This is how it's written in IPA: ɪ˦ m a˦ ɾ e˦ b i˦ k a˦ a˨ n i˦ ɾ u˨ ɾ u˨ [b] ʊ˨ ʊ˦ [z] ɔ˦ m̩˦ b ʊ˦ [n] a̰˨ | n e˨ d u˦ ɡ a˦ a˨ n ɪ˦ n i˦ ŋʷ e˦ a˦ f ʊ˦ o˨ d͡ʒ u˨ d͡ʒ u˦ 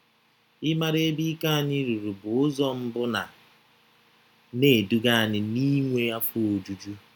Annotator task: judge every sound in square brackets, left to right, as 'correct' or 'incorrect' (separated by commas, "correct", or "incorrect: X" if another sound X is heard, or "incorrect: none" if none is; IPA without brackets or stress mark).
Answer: correct, correct, correct